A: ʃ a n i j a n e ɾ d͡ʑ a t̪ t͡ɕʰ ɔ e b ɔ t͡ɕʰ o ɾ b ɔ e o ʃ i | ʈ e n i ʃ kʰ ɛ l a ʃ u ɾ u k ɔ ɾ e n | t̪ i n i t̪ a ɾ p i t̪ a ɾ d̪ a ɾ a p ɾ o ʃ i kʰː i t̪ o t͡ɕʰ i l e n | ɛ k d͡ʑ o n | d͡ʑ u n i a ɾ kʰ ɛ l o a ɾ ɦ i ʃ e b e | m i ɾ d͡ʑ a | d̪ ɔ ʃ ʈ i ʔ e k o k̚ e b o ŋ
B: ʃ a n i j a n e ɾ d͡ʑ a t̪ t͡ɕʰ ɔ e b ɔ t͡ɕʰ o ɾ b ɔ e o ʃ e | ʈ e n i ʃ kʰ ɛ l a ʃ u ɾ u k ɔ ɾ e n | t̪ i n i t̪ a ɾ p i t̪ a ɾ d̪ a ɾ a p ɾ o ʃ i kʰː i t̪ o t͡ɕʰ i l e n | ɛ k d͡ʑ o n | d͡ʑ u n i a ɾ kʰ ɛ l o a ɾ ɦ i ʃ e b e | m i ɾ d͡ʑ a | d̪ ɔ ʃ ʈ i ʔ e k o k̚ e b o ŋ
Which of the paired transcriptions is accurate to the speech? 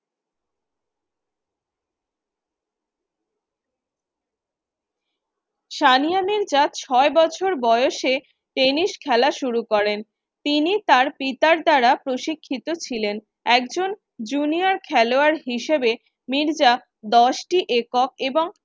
B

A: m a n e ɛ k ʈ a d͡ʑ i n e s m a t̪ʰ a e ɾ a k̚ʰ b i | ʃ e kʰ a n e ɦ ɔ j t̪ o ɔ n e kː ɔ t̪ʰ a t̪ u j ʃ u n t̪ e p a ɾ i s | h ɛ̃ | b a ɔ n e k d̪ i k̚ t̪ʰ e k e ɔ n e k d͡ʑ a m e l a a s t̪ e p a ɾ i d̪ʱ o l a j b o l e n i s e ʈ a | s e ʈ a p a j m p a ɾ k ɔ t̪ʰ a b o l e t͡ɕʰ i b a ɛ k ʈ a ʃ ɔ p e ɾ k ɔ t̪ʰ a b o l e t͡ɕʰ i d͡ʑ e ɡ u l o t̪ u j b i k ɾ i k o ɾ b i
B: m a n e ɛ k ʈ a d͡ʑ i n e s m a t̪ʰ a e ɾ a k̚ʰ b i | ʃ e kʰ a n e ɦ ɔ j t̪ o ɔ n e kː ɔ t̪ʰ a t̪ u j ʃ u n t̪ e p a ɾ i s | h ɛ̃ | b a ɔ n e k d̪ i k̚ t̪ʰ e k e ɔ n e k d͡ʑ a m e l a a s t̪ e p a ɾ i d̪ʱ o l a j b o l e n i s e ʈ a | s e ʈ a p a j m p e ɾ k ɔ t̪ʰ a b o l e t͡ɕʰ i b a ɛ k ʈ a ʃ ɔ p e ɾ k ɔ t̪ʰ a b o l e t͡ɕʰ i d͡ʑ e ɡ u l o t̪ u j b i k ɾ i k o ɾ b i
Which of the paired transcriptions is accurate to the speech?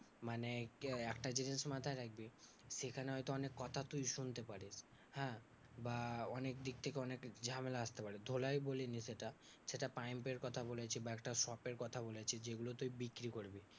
B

